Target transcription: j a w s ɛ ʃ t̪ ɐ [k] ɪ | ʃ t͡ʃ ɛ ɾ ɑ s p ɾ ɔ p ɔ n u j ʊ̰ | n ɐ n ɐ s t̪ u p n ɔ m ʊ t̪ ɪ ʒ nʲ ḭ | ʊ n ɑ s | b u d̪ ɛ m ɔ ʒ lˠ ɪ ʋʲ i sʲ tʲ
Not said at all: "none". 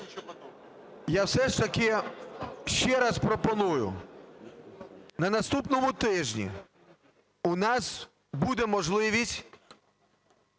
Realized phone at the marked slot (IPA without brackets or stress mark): k